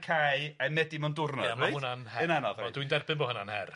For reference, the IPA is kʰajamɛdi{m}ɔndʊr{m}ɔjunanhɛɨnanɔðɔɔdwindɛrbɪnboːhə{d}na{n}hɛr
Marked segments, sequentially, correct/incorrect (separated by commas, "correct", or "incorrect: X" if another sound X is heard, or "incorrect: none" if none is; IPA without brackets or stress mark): correct, incorrect: n, incorrect: none, correct